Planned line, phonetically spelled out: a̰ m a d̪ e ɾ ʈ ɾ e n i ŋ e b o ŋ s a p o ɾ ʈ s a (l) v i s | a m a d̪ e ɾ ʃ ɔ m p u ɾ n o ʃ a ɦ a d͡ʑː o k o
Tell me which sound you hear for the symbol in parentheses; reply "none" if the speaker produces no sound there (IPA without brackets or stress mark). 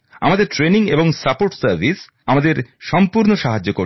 ɾ